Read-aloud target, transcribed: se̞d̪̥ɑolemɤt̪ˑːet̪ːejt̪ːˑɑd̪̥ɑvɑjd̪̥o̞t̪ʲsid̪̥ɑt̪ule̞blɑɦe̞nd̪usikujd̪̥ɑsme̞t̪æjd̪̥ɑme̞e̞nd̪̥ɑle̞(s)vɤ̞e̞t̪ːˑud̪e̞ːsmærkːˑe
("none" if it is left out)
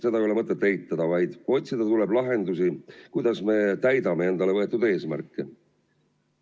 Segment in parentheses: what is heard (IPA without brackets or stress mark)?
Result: none